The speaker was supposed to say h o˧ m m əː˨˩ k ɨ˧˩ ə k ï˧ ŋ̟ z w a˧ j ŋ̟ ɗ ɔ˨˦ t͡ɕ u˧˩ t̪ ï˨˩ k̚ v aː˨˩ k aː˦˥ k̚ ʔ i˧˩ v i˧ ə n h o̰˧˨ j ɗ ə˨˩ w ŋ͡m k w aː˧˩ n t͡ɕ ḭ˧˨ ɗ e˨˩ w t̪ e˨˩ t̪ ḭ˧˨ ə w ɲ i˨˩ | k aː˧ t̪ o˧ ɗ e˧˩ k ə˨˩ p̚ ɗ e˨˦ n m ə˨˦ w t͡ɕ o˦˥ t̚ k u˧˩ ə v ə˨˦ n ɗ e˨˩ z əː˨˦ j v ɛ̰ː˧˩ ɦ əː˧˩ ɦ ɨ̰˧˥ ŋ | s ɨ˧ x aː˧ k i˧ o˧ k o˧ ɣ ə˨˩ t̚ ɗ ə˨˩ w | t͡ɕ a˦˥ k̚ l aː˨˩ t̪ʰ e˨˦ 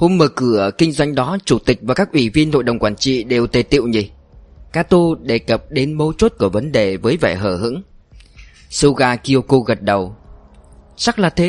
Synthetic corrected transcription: h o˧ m m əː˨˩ k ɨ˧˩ ə k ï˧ ŋ̟ z w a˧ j ŋ̟ ɗ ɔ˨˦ t͡ɕ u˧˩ t̪ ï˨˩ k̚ v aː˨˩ k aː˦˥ k̚ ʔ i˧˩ v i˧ ə n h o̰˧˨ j ɗ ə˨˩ w ŋ͡m k w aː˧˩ n t͡ɕ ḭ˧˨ ɗ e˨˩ w t̪ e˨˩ t̪ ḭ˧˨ ə w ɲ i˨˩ | k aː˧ t̪ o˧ ɗ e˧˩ k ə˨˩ p̚ ɗ e˨˦ n m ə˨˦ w t͡ɕ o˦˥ t̚ k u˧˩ ə v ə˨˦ n ɗ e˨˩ v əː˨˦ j v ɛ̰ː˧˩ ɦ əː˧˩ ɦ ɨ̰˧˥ ŋ | s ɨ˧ ɣ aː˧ k i˧ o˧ k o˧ ɣ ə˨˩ t̚ ɗ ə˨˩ w | t͡ɕ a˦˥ k̚ l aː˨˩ t̪ʰ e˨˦